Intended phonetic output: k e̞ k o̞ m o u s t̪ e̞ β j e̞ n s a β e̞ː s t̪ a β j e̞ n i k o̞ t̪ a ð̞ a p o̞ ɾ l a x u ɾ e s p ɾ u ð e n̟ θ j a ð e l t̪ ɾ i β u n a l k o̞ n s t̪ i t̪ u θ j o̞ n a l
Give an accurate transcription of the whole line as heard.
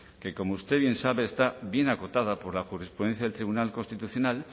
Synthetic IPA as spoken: k e̞ k o̞ m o u s t̪ e̞ β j e̞ n s a β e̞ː s t̪ a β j e̞ n a k o̞ t̪ a ð̞ a p o̞ ɾ l a x u ɾ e s p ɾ u ð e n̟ θ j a ð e l t̪ ɾ i β u n a l k o̞ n s t̪ i t̪ u θ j o̞ n a l